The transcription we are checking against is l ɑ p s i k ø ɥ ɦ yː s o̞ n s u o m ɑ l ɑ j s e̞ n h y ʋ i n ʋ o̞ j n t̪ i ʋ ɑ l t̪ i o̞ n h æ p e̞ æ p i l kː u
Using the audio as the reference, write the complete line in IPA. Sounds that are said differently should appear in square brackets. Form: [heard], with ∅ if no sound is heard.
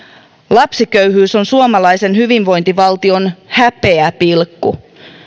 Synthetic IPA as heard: l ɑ p s i k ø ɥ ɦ yː s o̞ n s u o m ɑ l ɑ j s e̞ n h y ʋ i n ʋ o̞ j n t̪ i ʋ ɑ l t̪ i o̞ n h æ p e̞ æ p i l kː u